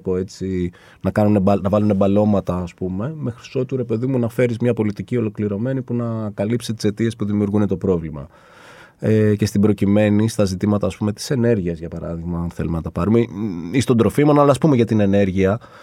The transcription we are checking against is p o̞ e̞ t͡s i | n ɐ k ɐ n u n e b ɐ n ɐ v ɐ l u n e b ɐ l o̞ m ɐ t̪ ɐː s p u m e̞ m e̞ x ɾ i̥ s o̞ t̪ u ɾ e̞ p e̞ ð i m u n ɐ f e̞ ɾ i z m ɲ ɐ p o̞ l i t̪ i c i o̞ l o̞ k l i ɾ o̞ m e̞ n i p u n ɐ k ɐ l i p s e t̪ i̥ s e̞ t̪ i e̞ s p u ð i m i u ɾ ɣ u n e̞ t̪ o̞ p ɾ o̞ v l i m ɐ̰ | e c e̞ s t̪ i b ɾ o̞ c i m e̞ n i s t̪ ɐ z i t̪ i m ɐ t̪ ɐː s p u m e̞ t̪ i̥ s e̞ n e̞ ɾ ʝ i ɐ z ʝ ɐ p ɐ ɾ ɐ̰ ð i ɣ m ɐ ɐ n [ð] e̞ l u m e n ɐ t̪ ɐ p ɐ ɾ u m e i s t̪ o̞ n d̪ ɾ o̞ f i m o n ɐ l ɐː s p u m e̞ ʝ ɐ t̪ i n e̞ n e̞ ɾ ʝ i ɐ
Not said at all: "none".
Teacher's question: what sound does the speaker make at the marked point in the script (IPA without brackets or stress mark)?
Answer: θ